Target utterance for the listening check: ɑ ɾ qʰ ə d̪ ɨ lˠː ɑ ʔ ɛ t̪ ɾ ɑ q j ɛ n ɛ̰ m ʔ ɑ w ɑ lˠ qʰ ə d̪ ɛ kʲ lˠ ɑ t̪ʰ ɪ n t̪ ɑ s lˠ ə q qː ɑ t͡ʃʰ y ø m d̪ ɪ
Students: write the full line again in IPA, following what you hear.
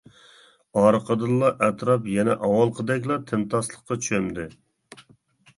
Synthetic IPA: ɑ ɾ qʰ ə d̪ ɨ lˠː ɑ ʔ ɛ t̪ ɾ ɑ p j ɛ n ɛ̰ ʔ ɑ w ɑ lˠ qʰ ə d̪ ɛ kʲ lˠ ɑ t̪ʰ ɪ n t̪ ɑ s lˠ ə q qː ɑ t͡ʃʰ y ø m d̪ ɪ